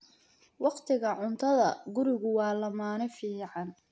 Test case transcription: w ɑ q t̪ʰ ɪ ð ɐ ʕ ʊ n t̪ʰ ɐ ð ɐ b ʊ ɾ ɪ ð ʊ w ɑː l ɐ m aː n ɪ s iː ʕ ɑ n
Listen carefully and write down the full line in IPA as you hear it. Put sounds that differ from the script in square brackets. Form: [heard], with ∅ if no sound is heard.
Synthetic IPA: w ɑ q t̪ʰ ɪ [ɣ] ɐ ʕ ʊ n t̪ʰ ɐ ð ɐ [ɡ] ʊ ɾ ɪ [ɣ] ʊ w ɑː l ɐ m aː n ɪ [f] iː ʕ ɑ n